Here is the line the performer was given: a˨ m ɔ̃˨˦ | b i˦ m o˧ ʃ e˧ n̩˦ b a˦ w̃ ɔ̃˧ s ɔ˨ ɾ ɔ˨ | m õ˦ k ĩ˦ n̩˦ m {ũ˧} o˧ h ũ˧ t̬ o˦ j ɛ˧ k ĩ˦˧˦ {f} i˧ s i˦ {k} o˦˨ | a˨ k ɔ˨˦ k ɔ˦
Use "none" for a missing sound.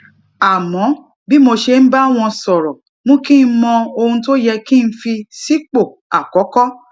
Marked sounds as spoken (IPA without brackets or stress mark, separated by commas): ɔ̃˧, f, k͡p